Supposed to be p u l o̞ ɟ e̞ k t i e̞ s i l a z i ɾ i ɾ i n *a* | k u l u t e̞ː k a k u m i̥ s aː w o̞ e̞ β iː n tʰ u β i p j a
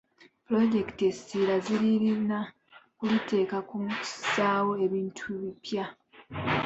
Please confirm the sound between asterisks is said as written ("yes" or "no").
yes